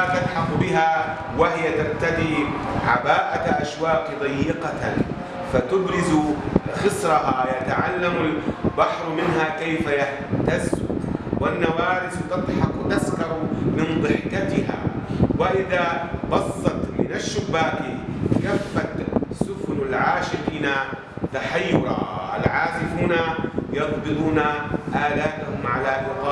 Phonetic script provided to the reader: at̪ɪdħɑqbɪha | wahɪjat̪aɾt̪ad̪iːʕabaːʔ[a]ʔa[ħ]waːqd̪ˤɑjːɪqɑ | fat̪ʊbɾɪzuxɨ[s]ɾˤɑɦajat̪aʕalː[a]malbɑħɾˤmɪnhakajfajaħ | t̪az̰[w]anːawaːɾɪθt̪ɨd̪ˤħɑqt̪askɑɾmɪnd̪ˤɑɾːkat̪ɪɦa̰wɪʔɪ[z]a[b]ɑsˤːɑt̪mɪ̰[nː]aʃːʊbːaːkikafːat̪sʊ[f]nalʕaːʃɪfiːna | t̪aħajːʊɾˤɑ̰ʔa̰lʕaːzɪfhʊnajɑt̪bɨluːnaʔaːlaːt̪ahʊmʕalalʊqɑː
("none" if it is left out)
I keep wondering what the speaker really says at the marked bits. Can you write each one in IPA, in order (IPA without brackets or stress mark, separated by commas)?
a, ʃ, s, a, w, ð, b, n, f